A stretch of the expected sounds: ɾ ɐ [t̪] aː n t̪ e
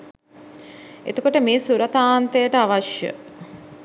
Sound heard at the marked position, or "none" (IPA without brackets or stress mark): t̪